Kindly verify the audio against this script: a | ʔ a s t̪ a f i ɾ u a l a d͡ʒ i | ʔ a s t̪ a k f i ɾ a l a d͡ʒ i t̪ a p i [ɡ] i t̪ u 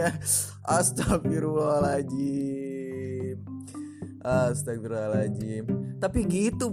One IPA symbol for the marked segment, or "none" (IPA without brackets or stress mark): ɡ